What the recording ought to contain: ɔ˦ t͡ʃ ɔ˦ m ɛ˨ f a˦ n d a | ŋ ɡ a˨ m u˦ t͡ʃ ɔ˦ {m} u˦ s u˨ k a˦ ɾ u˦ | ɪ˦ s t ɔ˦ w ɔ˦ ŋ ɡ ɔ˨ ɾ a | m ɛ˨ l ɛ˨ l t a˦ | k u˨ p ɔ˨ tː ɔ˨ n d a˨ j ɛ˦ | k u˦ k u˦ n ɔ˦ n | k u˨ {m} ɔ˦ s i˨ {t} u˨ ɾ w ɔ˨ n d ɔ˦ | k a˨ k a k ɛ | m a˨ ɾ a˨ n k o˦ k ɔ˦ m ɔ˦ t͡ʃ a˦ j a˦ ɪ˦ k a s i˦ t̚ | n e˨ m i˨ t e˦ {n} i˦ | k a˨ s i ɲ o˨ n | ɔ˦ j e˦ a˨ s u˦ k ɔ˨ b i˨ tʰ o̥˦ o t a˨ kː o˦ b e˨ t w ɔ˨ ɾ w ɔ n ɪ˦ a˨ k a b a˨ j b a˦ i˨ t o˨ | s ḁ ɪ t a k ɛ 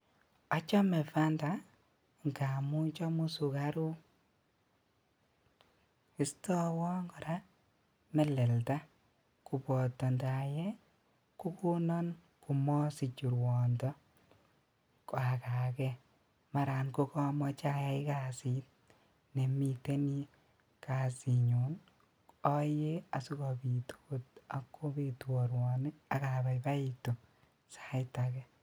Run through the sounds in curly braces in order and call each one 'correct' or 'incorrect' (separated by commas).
correct, correct, incorrect, correct